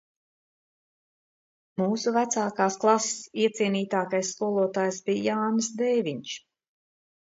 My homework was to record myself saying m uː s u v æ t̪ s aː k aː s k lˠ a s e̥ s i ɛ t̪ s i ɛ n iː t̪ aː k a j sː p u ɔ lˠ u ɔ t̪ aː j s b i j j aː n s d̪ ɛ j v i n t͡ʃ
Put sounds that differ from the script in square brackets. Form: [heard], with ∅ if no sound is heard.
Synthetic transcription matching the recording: m uː s u v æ t̪ s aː k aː s k lˠ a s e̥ s i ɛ t̪ s i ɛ n iː t̪ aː k a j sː [k] u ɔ lˠ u ɔ t̪ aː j s b i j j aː n s d̪ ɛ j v i [ɲ] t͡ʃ